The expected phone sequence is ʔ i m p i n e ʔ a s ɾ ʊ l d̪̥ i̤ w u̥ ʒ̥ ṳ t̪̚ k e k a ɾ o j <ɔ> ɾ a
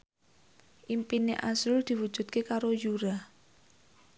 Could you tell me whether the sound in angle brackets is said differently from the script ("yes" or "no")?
yes